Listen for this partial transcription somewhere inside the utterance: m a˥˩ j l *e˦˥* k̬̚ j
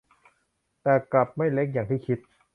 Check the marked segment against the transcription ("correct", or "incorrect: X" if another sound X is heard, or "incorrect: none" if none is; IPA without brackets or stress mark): correct